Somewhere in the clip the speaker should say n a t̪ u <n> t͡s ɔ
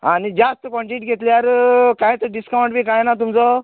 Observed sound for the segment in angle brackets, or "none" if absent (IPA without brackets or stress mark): m